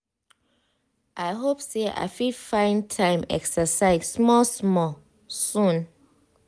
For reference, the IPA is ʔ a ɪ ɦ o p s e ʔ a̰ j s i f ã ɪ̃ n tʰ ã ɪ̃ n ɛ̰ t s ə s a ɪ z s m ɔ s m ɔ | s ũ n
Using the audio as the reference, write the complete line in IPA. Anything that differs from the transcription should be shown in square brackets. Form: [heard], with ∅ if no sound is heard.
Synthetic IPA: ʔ a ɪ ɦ o p s e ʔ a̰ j [f] i f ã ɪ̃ n tʰ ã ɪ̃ [m] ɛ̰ [k] s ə s a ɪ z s m ɔ s m ɔ | s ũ n